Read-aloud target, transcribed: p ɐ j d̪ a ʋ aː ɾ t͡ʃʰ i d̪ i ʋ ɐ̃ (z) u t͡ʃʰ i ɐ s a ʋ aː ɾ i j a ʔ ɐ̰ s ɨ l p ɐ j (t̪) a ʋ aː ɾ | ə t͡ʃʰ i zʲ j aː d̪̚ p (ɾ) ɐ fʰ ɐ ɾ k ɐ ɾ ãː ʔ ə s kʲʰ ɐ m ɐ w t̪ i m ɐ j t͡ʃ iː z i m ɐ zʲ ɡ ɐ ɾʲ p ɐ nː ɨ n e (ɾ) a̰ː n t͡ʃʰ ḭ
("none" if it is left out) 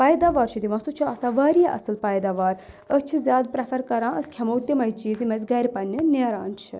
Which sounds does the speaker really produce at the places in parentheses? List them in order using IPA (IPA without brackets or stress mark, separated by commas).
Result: s, d̪, ɾ, ɾ